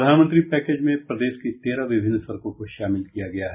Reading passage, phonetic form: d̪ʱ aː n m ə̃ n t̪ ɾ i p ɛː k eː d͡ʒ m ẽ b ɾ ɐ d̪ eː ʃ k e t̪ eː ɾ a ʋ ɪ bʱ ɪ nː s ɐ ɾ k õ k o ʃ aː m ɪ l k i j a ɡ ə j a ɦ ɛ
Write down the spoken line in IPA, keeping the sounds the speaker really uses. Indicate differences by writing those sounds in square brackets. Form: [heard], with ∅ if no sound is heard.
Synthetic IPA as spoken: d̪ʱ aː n m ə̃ n t̪ ɾ i p ɛː k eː d͡ʒ m ẽ [p] ɾ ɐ d̪ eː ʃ k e t̪ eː ɾ a ʋ ɪ bʱ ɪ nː s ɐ ɾ k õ k o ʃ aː m ɪ l k i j a ɡ [ɐ] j a ɦ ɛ